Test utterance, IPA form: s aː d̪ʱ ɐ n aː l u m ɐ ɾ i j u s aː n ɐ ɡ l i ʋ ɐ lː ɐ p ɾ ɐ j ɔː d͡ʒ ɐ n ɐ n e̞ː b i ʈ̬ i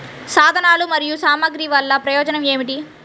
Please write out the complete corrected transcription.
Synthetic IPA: s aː d̪ʱ ɐ n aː l u m ɐ ɾ i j u s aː m ɐ ɡ ɾ i ʋ ɐ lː ɐ p ɾ ɐ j ɔː d͡ʒ ɐ n ɐ m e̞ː m i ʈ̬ i